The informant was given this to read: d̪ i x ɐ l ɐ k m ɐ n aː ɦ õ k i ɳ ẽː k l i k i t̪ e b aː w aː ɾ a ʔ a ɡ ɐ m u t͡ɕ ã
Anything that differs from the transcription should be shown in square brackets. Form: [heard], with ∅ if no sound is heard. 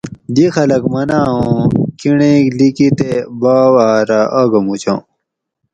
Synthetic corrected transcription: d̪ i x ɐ l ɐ k m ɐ n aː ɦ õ k i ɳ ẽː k l i k i t̪ e b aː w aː ɾ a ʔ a ɡ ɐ m u t͡ɕ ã